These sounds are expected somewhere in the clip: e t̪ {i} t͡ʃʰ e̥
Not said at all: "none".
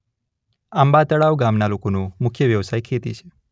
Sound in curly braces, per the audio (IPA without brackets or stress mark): i